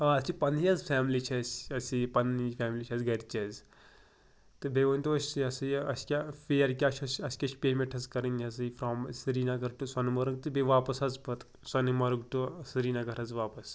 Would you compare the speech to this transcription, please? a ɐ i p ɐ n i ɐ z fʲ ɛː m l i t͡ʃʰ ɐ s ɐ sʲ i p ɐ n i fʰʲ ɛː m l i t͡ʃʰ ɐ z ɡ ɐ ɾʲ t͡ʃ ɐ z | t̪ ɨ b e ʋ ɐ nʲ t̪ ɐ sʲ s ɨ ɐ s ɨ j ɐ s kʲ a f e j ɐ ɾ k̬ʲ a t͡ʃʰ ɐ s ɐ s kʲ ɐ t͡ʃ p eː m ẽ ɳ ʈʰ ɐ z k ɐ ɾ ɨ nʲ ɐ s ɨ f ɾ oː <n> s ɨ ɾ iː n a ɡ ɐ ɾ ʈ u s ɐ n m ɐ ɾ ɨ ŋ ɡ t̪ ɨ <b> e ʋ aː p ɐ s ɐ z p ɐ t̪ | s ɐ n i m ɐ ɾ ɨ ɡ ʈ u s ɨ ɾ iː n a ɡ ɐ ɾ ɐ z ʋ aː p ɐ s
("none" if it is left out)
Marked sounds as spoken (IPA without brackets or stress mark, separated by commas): m, b